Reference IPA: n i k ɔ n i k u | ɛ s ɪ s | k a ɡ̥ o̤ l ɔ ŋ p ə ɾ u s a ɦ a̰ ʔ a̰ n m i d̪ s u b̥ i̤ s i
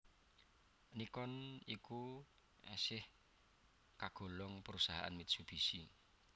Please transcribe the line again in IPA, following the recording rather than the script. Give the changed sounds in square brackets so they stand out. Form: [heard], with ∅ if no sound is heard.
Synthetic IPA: n i k ɔ n i k u | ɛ s ɪ [h] | k a ɡ̥ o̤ l ɔ ŋ p ə ɾ u s a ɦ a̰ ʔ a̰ n m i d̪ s u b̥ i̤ s i